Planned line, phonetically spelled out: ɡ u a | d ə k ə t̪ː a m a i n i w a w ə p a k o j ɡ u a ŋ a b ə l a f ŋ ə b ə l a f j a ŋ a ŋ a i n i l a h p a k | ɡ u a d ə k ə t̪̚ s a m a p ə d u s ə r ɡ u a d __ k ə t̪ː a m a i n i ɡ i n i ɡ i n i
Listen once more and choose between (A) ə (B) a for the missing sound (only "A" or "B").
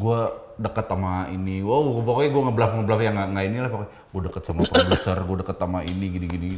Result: A